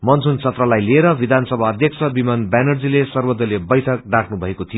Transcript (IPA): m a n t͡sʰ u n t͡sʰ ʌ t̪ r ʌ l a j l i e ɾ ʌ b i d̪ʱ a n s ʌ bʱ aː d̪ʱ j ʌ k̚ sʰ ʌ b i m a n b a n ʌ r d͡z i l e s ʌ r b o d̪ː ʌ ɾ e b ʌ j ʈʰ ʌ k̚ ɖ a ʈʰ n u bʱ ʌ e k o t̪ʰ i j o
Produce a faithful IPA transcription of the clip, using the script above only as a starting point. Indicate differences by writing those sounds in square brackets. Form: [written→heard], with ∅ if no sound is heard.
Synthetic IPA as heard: m [a→ʌ] n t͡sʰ u n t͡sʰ ʌ t̪ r ʌ l a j l i e ɾ ʌ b i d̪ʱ a n s ʌ bʱ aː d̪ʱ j ʌ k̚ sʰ ʌ b i m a n b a n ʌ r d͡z i l e s ʌ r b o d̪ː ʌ [ɾ→l] e b ʌ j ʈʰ ʌ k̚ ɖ a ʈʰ n u bʱ ʌ e k o t̪ʰ i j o